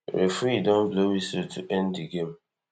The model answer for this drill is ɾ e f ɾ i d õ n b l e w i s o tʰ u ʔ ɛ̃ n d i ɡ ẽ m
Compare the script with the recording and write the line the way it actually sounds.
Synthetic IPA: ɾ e f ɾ i d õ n b l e w i s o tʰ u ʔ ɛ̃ n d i ɡ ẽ m